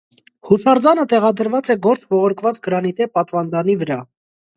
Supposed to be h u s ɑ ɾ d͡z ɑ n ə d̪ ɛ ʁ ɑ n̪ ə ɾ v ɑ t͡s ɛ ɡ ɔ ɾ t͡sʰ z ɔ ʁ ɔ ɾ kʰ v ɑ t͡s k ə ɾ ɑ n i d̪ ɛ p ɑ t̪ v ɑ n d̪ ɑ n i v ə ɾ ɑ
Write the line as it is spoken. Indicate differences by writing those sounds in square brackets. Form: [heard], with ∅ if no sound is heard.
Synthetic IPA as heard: h u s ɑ ɾ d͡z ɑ n ə [t̪] ɛ ʁ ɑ [d̪] ə ɾ v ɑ t͡s ɛ ɡ ɔ ɾ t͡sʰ [v] ɔ ʁ ɔ ɾ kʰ v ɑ t͡s [ɡ] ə ɾ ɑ n i [t̪] ɛ p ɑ t̪ v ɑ n d̪ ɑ n i v ə ɾ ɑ